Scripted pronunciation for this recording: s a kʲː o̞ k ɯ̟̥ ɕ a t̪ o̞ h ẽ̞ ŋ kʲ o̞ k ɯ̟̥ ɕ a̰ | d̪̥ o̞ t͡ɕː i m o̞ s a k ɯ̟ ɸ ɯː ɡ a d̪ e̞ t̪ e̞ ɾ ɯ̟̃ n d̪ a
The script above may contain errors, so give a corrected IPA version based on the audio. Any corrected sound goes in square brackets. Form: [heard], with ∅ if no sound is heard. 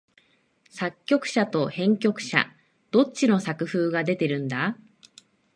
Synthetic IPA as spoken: s a kʲː o̞ k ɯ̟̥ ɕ a t̪ o̞ h ẽ̞ ŋ kʲ o̞ k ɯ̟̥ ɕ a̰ | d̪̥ o̞ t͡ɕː i [n] o̞ s a k ɯ̟ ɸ ɯː ɡ a d̪ e̞ t̪ e̞ ɾ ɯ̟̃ n d̪ a